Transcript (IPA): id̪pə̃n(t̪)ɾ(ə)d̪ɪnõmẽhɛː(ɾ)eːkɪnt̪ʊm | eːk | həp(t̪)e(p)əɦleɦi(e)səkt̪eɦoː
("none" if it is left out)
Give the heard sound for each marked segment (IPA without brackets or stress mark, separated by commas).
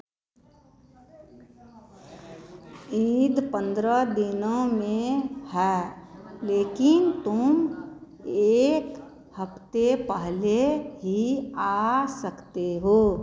d̪, ə, l, t̪, p, a